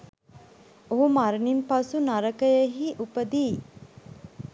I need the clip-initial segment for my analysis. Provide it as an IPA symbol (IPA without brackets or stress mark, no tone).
o